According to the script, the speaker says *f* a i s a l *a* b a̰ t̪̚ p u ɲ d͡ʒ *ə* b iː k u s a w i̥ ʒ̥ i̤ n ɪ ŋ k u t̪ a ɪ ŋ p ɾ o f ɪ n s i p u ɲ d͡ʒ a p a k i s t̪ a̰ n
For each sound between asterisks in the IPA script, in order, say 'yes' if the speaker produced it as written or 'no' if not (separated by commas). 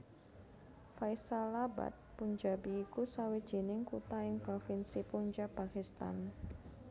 yes, yes, no